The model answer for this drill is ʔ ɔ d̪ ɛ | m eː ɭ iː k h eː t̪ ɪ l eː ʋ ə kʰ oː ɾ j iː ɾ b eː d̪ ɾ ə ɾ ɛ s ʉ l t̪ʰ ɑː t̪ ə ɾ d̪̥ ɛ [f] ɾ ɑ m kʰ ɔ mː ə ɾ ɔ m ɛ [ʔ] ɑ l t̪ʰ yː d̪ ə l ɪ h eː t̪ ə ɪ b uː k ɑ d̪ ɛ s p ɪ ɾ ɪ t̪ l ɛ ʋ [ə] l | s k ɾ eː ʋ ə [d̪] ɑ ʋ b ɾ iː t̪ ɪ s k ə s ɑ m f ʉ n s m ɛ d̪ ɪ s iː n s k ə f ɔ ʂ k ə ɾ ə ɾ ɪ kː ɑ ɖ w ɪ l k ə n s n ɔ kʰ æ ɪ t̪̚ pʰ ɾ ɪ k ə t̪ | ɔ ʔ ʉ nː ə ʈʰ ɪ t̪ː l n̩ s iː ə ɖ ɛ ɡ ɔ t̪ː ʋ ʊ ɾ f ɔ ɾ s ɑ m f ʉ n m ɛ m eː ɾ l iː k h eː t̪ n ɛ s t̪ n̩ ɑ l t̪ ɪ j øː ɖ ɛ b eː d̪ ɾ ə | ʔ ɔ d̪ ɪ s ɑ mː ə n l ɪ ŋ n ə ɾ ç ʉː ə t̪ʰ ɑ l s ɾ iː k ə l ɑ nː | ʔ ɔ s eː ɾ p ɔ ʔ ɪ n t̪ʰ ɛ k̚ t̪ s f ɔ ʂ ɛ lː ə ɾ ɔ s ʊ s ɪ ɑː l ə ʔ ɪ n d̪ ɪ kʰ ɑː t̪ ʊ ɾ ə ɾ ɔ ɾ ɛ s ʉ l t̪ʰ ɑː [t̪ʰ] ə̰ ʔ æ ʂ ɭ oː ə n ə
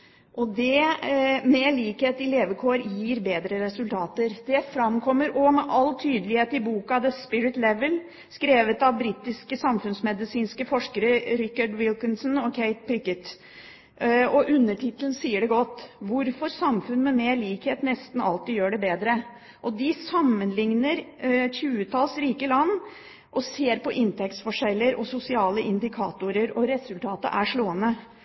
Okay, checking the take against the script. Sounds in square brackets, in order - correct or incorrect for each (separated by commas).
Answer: correct, correct, correct, incorrect, incorrect